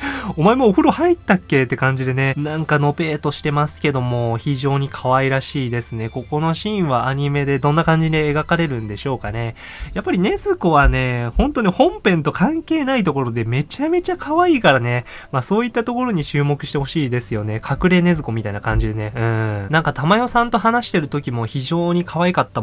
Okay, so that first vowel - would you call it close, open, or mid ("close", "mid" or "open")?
mid